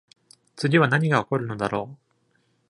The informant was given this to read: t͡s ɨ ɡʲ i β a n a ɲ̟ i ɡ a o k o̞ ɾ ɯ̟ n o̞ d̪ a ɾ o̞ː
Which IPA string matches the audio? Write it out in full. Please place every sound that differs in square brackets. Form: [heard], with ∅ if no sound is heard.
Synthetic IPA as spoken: t͡s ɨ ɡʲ i β a n a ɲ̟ i ɡ a o k o̞ ɾ ɯ̟ n o̞ d̪ a ɾ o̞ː